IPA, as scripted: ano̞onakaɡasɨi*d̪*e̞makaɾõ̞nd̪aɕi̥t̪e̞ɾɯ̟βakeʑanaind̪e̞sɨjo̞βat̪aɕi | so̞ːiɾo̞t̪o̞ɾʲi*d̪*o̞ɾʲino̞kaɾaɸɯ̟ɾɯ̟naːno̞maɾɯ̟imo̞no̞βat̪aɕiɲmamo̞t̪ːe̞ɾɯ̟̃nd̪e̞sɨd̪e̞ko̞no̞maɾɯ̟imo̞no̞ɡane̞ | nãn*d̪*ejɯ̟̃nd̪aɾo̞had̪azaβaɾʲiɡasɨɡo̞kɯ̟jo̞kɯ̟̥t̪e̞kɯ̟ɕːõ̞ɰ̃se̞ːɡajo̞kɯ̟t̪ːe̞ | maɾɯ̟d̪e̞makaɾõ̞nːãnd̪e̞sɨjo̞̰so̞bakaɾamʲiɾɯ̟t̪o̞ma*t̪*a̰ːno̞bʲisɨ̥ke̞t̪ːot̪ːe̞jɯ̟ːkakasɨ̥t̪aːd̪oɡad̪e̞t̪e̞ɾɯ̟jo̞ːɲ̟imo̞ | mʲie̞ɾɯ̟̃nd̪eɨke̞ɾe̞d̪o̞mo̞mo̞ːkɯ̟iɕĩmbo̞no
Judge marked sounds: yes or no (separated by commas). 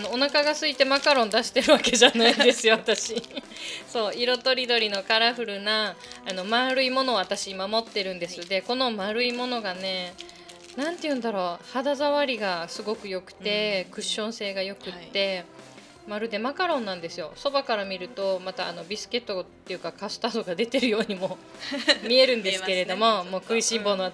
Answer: no, yes, no, yes